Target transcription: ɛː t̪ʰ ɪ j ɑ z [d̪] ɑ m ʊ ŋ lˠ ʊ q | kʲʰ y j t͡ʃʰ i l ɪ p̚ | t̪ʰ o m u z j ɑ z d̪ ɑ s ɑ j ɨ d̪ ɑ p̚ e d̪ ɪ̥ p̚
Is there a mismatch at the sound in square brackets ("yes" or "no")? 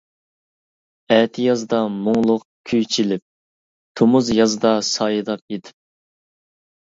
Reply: no